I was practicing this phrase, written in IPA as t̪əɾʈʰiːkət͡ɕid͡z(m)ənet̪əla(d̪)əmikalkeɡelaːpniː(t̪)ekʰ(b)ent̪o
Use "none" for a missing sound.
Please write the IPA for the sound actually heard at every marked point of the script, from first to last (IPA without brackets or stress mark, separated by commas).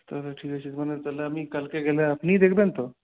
m, none, d̪, b